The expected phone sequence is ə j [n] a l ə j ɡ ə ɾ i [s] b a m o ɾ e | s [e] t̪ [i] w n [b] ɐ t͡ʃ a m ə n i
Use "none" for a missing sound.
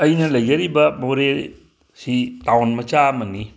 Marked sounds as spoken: n, none, i, a, m

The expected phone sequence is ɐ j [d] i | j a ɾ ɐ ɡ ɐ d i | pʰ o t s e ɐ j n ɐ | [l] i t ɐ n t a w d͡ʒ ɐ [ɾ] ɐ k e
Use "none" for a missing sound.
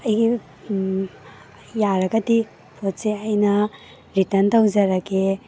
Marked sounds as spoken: ɡ, ɾ, ɾ

